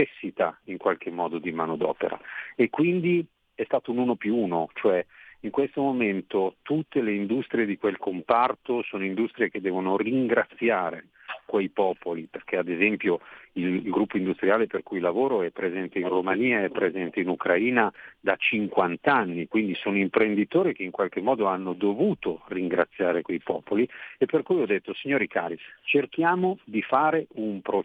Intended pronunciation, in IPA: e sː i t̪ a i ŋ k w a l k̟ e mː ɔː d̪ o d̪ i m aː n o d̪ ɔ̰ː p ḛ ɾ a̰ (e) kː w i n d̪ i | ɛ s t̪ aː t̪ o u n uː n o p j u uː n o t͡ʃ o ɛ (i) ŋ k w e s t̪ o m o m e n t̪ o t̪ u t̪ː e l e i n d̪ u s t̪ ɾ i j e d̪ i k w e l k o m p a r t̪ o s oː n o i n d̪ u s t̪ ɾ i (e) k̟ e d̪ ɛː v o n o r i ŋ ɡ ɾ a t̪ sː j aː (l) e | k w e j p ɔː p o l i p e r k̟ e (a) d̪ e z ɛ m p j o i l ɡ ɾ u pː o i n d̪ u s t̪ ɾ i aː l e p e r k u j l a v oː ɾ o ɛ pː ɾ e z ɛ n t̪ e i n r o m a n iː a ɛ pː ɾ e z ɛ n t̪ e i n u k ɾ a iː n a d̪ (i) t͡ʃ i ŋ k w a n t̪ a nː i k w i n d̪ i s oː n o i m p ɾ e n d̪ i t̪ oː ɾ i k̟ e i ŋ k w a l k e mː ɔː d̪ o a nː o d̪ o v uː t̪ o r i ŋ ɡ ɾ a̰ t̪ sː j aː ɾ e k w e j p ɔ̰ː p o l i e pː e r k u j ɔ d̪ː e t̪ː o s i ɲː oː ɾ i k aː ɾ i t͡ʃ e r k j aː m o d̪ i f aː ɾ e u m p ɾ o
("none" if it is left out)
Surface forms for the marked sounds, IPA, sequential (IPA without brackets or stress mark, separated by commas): e, i, e, ɾ, a, a